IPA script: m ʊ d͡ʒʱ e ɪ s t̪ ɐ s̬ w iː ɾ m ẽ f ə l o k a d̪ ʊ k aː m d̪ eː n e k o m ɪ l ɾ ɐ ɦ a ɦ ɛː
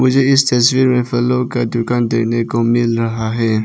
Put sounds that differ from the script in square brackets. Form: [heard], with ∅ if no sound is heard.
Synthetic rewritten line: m ʊ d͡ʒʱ e ɪ s t̪ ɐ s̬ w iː ɾ m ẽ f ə l o k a d̪ ʊ k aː [n] d̪ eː n e k o m ɪ l ɾ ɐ ɦ a ɦ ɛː